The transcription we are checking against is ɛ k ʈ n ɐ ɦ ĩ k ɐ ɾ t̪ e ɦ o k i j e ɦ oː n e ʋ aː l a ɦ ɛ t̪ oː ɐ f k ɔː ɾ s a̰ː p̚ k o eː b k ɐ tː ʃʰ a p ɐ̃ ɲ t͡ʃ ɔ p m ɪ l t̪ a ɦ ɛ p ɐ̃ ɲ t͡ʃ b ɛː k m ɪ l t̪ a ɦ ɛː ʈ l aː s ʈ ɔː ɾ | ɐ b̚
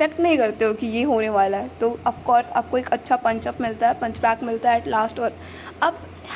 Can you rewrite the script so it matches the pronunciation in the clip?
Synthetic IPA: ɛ k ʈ n ɐ ɦ ĩ k ɐ ɾ t̪ e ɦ o k i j e ɦ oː n e ʋ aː l a ɦ ɛ t̪ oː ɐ f k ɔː ɾ s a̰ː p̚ k o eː k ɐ tː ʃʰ a p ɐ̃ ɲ t͡ʃ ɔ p m ɪ l t̪ a ɦ ɛ p ɐ̃ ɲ t͡ʃ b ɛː k m ɪ l t̪ a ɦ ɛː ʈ l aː s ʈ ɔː ɾ | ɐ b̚